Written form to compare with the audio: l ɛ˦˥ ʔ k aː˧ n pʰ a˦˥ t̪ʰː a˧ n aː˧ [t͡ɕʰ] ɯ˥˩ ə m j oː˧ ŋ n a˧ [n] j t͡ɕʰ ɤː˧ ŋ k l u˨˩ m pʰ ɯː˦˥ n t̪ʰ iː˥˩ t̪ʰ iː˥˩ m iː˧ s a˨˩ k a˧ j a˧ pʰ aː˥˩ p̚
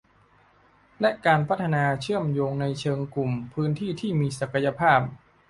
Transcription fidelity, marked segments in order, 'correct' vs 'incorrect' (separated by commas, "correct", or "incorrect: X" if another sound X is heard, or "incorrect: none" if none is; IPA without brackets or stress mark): correct, incorrect: none